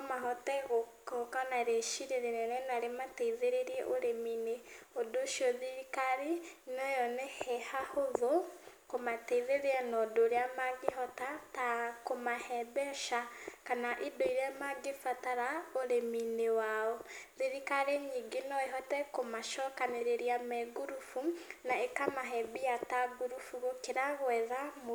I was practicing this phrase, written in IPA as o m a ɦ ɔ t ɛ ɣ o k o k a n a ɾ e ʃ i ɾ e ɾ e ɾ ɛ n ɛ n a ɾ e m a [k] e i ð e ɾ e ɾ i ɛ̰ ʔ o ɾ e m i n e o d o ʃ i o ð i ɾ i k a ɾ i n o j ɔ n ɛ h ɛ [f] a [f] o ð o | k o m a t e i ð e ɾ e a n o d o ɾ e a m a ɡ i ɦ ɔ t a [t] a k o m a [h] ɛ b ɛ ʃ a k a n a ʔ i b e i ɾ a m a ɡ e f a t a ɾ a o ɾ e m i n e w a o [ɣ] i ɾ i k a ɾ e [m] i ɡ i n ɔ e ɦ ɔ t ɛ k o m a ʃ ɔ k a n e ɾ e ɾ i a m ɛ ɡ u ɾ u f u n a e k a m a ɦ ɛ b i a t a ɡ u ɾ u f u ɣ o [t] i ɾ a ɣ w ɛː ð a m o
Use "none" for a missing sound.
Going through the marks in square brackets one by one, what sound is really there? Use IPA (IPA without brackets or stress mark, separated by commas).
t, h, h, t, h, ð, ɲ, k